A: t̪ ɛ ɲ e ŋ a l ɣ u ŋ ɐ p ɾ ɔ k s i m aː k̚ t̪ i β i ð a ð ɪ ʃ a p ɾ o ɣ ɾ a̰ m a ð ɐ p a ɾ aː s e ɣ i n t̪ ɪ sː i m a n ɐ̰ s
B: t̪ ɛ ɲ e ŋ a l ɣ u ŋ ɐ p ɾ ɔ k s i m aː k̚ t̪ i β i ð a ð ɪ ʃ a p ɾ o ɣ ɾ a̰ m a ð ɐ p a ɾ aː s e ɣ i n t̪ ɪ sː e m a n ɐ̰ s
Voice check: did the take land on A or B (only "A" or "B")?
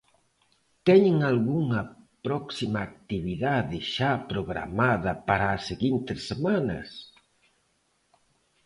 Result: B